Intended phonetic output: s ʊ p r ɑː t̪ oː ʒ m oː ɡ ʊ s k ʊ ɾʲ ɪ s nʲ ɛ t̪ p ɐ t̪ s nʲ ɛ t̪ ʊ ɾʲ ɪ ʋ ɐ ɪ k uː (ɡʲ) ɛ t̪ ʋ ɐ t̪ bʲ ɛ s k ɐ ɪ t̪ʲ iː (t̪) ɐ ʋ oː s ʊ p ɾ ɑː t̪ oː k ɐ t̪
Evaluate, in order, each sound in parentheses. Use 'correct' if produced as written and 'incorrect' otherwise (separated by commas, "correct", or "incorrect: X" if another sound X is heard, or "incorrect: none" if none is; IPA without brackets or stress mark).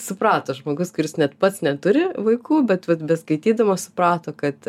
incorrect: bʲ, incorrect: d̪